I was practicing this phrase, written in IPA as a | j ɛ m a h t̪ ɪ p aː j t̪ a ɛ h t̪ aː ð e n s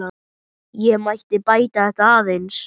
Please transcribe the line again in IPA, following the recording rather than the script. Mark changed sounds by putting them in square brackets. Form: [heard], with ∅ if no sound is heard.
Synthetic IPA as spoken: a | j ɛ m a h t̪ ɪ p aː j t̪ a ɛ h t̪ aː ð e n s